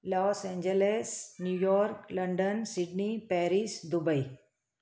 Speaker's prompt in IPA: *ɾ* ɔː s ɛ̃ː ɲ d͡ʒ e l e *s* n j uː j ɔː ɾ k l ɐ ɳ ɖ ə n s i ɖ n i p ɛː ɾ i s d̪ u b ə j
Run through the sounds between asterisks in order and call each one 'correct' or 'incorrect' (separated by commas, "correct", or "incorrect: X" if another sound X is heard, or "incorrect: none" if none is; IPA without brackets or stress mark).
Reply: incorrect: l, correct